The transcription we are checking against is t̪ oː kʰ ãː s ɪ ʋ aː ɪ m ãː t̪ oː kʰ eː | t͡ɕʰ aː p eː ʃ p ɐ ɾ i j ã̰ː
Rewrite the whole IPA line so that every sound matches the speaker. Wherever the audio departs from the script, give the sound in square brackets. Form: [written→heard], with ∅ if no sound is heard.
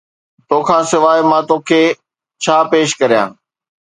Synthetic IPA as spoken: t̪ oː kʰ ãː s ɪ ʋ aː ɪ m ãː t̪ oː kʰ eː | t͡ɕʰ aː p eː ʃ [p→k] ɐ ɾ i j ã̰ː